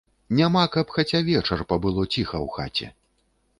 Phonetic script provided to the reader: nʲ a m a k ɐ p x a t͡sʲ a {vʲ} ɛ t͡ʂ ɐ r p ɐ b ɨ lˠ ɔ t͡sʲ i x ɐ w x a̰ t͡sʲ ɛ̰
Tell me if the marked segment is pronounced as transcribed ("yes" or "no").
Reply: yes